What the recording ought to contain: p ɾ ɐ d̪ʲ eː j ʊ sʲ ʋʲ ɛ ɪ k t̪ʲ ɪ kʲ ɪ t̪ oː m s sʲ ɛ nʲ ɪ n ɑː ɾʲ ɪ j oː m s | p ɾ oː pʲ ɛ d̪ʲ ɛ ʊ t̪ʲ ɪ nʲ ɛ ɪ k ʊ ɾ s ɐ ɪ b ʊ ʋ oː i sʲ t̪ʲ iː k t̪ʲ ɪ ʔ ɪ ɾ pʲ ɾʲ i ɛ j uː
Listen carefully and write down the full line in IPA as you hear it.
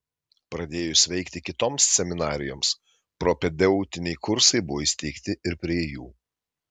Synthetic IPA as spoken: p ɾ ɐ d̪ʲ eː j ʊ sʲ ʋʲ ɛ ɪ k t̪ʲ ɪ kʲ ɪ t̪ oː m s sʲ ɛ mʲ ɪ n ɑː ɾʲ ɪ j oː m s | p ɾ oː pʲ ɛ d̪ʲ ɛ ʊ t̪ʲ ɪ nʲ ɛ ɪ k ʊ ɾ s ɐ ɪ b ʊ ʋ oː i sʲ t̪ʲ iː k t̪ʲ ɪ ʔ ɪ ɾ pʲ ɾʲ i ɛ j uː

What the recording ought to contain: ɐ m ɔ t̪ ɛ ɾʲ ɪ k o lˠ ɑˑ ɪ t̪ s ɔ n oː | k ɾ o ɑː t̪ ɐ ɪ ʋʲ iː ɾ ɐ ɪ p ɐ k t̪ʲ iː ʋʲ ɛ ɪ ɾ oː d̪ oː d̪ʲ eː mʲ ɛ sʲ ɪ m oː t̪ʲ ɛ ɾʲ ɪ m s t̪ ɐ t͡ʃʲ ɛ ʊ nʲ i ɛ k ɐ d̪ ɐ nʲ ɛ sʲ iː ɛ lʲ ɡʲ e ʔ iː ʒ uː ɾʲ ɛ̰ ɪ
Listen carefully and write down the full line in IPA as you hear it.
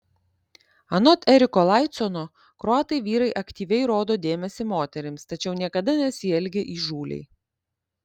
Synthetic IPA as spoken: ɐ n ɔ t̪ ɛ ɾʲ ɪ k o lˠ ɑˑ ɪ t̪ s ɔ n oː | k ɾ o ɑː t̪ ɐ ɪ ʋʲ iː ɾ ɐ ɪ ʔ ɐ k t̪ʲ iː ʋʲ ɛ ɪ ɾ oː d̪ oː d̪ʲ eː mʲ ɛ sʲ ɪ m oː t̪ʲ ɛ ɾʲ ɪ m s t̪ ɐ t͡ʃʲ ɛ ʊ nʲ i ɛ k ɐ d̪ ɐ nʲ ɛ sʲ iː ɛ lʲ ɡʲ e ʔ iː ʒ uː lʲ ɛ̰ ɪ

